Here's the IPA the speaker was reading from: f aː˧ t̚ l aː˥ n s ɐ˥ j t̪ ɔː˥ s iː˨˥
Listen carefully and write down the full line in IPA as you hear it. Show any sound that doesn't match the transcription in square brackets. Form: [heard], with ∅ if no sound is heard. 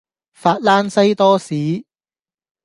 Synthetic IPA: f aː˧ t̚ l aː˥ n s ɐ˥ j t̪ ɔː˥ s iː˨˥